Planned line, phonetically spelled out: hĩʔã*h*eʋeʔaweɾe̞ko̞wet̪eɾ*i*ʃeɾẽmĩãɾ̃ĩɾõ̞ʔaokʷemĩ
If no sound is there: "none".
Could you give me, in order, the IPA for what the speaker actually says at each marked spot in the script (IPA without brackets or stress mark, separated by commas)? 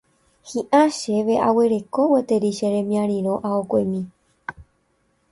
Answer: ʃ, i